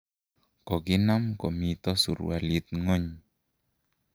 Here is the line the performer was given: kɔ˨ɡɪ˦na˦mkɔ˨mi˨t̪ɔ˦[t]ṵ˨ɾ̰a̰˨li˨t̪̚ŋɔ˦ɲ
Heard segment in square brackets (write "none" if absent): s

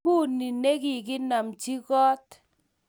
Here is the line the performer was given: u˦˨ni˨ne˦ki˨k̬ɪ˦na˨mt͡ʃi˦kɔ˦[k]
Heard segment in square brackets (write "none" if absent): t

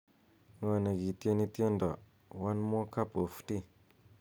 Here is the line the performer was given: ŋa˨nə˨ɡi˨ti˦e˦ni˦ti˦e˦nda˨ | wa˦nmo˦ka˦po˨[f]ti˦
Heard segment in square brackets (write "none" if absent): f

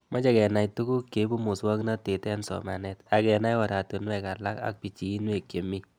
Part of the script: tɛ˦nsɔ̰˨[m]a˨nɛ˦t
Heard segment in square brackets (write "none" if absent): m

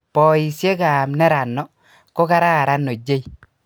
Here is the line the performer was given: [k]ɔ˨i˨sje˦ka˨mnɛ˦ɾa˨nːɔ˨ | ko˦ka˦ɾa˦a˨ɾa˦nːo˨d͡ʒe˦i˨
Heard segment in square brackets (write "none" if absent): p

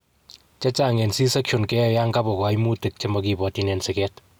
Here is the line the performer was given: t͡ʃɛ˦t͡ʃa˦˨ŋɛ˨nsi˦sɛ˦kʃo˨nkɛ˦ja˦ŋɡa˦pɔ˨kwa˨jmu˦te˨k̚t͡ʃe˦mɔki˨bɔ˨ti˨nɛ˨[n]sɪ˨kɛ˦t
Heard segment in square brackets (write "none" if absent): n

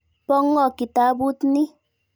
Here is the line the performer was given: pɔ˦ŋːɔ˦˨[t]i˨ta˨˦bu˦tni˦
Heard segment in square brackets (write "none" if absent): k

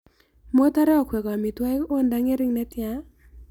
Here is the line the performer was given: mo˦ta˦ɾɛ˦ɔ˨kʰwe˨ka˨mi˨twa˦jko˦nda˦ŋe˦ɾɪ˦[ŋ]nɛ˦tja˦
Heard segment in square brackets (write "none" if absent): ŋ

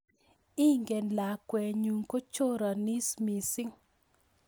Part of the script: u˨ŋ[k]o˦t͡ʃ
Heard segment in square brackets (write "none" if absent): k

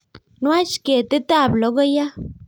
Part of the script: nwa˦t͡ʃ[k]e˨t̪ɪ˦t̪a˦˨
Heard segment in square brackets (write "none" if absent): k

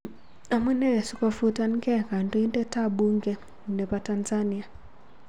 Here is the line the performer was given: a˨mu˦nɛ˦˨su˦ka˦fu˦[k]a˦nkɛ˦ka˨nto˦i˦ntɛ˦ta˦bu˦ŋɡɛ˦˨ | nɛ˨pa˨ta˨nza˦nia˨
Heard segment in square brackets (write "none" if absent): t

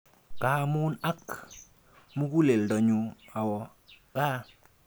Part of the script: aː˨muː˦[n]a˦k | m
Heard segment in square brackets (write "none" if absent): n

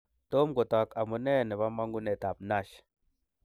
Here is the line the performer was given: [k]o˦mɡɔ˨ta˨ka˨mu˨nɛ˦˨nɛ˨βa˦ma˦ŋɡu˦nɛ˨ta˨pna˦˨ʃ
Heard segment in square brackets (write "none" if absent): t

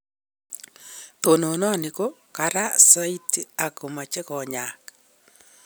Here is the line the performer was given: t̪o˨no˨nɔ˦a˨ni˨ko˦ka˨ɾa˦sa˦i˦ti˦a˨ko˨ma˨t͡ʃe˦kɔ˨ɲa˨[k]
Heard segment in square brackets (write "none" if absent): k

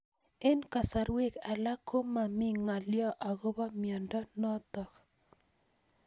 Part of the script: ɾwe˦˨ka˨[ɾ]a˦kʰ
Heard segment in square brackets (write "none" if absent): l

